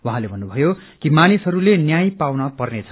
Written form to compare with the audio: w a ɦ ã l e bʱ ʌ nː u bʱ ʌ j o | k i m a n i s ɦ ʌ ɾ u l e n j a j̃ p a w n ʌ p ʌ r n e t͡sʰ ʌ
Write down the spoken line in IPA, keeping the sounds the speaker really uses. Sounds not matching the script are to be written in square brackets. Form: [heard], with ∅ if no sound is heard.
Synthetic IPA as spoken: w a ɦ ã l e bʱ ʌ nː u bʱ ʌ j o | k i m a n i s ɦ ʌ ɾ u l e n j a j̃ p a w n ʌ p ʌ r n e t͡sʰ ʌ